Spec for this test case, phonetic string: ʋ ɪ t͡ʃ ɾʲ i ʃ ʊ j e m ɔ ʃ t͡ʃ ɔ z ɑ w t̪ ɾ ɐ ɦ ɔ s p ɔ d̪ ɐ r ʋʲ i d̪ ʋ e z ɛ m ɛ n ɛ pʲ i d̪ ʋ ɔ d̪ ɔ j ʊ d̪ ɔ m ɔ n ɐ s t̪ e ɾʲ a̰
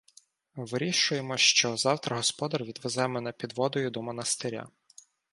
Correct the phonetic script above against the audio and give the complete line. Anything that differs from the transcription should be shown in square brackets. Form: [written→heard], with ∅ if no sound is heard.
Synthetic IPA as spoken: ʋ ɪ [t͡ʃ→∅] ɾʲ i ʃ ʊ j e m ɔ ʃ t͡ʃ ɔ z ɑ w t̪ ɾ ɐ ɦ ɔ s p ɔ d̪ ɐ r ʋʲ i d̪ ʋ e z ɛ m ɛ n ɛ pʲ i d̪ ʋ ɔ d̪ ɔ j ʊ d̪ ɔ m ɔ n ɐ s t̪ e ɾʲ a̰